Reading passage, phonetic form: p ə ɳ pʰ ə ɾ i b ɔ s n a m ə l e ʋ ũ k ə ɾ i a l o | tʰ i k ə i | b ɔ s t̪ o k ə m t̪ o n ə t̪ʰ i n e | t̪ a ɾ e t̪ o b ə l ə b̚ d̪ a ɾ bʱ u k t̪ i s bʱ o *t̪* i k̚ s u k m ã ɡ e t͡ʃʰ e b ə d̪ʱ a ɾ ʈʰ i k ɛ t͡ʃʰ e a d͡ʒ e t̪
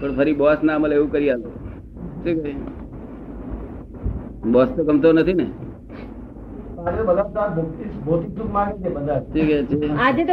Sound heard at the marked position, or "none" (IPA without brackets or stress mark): t̪